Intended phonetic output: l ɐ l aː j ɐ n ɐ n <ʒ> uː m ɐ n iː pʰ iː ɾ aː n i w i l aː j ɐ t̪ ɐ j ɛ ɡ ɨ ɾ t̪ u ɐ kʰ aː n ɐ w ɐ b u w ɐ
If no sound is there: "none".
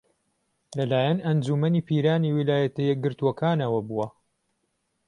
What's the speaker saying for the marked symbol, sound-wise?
d͡ʒ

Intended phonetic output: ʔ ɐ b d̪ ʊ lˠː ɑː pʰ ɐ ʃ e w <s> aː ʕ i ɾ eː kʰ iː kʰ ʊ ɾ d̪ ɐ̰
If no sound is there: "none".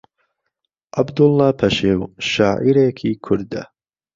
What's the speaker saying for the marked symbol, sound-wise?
ʃ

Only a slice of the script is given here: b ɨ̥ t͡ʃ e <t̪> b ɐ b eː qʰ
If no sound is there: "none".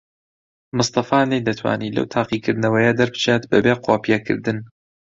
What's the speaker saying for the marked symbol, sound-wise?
t̪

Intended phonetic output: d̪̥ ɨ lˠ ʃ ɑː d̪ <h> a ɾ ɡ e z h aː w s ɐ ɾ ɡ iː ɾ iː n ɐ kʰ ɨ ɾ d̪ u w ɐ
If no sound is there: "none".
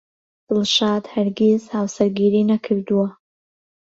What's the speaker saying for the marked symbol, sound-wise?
h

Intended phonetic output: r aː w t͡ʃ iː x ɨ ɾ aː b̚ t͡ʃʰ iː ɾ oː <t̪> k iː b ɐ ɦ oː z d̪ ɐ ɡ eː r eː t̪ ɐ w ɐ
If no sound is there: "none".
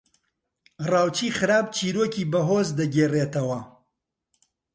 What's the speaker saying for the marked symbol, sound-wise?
none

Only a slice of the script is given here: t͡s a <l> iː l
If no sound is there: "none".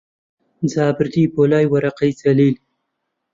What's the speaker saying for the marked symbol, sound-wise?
l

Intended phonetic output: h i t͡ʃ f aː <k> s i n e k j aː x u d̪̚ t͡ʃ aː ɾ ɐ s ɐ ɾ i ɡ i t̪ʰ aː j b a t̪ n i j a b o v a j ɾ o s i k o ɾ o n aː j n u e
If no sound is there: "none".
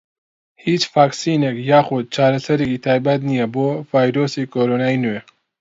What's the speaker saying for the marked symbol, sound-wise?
k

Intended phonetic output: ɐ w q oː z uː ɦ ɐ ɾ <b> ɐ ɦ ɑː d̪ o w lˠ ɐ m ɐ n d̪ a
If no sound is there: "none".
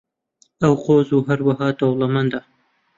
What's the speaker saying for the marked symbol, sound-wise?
w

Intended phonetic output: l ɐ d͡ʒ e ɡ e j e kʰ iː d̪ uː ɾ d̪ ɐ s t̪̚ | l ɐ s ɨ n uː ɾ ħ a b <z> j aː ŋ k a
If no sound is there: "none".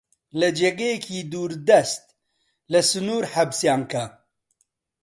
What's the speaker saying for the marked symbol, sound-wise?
s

